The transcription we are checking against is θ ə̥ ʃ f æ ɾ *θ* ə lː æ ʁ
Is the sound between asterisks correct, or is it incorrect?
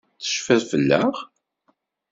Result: incorrect